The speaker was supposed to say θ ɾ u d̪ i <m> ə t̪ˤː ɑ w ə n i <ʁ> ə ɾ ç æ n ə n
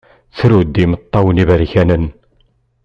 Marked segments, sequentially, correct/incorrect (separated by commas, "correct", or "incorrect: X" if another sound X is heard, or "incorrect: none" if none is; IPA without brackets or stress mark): correct, incorrect: v